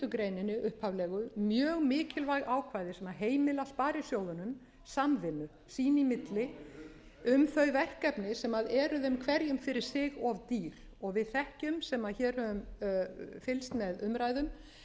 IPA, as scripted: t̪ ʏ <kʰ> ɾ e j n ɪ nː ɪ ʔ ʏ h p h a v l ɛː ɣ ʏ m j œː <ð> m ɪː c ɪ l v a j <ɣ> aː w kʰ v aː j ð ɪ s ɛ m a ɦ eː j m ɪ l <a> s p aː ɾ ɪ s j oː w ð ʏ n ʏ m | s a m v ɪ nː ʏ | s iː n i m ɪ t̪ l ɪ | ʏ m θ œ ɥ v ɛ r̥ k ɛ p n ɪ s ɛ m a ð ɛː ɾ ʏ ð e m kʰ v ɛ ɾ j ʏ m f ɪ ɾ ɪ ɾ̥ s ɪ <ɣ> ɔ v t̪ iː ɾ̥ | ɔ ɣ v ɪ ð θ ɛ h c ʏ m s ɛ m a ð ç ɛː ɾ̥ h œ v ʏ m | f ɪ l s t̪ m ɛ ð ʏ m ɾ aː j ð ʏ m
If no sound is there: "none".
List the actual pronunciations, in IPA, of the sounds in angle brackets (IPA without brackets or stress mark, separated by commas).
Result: k, ɣ, ɣ, a, ɣ